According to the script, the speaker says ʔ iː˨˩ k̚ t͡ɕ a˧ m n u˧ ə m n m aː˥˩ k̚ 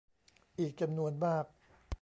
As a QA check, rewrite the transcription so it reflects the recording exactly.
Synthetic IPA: ʔ iː˨˩ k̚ t͡ɕ a˧ m n u˧ ə n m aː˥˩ k̚